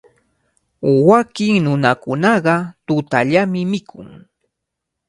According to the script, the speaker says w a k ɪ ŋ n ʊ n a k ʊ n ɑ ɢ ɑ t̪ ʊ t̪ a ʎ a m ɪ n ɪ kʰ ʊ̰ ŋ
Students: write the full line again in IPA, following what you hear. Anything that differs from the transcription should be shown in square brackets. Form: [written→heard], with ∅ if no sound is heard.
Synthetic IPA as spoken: w a k ɪ ŋ n ʊ n a k ʊ n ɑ ɢ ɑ t̪ ʊ t̪ a ʎ a m ɪ [n→m] ɪ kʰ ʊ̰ ŋ